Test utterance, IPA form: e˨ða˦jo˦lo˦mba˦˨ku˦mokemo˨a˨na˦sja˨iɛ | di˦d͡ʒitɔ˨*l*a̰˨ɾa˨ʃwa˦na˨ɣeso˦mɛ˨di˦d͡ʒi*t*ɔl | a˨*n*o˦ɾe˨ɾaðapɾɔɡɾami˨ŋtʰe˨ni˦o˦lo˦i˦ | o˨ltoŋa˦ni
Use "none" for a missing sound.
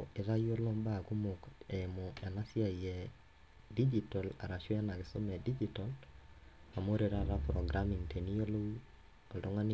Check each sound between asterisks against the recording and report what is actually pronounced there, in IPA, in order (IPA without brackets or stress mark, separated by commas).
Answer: l, t, m